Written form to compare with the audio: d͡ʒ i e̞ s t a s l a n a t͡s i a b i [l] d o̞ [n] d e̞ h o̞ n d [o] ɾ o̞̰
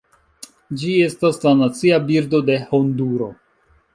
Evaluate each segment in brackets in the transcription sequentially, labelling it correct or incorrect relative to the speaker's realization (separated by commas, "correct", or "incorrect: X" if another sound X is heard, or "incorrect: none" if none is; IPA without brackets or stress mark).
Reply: incorrect: ɾ, incorrect: none, incorrect: u